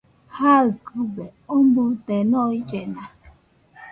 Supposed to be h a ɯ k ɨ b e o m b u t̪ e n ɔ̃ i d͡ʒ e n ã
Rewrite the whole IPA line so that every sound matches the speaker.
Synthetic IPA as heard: h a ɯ k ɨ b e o m b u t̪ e n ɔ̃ i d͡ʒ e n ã